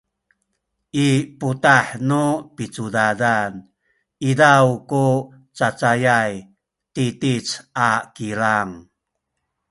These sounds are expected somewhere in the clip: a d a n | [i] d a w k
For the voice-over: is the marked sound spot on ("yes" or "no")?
yes